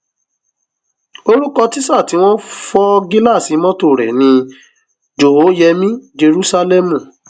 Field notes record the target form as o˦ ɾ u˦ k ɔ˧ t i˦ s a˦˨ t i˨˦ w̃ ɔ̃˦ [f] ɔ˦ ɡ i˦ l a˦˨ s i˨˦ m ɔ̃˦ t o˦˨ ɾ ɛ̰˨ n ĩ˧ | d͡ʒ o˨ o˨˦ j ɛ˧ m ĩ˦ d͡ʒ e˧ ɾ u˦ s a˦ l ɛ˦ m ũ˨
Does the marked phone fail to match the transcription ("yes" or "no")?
no